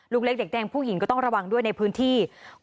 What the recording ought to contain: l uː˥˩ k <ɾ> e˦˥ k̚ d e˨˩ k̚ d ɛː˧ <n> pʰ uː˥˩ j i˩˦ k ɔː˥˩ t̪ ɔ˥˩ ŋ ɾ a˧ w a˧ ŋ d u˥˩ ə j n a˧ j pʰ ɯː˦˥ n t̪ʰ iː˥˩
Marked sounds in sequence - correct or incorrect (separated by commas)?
incorrect, incorrect